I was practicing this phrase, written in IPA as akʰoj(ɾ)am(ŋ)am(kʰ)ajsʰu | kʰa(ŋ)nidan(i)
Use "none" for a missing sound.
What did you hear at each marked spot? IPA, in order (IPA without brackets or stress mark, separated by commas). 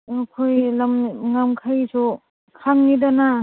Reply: l, ŋ, kʰ, ŋ, a